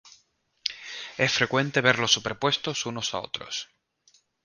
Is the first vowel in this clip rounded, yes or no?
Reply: no